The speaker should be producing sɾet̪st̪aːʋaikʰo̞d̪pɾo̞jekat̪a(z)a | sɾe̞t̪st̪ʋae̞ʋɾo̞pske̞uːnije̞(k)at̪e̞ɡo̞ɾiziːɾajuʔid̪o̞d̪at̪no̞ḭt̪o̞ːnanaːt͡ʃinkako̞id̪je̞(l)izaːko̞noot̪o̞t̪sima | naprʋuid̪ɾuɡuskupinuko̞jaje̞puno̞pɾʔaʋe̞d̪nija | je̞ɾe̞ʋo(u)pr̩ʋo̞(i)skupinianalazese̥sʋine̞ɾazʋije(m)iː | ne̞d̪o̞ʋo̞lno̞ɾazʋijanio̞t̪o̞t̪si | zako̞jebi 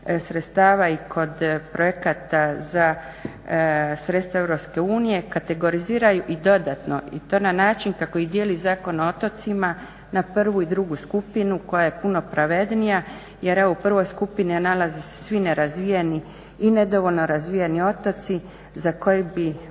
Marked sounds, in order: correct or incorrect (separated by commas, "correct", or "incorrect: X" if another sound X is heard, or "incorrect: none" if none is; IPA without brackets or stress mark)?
correct, correct, correct, correct, incorrect: j, incorrect: n